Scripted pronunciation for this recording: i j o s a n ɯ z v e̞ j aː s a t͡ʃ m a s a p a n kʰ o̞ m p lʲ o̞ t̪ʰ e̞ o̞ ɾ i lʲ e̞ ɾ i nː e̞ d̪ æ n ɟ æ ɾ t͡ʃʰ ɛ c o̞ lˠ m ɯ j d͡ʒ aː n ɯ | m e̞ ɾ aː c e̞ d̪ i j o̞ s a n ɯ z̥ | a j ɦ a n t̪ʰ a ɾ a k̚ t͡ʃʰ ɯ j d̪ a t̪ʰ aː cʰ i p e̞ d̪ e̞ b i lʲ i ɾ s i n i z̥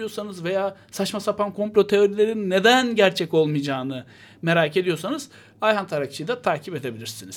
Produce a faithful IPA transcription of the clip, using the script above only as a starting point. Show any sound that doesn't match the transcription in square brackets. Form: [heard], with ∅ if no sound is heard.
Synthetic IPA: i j o s a n ɯ z v e̞ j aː s a t͡ʃ m a s a p a n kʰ o̞ m p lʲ o̞ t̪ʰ e̞ o̞ ɾ i lʲ e̞ ɾ i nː e̞ d̪ æ n ɟ æ ɾ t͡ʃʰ ɛ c o̞ lˠ m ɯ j d͡ʒ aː n ɯ | m e̞ ɾ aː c e̞ d̪ i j o̞ s a n ɯ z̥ | a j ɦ a n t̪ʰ a ɾ a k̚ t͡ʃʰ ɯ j d̪ a t̪ʰ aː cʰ i p e̞ d̪ e̞ b i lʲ i ɾ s i n i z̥